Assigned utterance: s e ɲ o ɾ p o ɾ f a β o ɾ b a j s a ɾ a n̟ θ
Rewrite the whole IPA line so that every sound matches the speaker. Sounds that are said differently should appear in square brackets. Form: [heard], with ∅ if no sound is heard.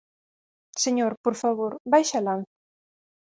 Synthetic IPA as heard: s e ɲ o ɾ p o ɾ f a β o ɾ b a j [ʃ] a [l] a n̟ θ